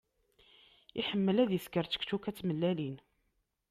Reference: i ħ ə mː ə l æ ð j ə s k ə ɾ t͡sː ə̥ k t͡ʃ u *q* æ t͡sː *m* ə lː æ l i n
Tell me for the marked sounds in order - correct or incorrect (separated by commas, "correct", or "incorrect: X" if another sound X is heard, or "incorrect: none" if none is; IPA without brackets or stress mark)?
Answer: incorrect: k, correct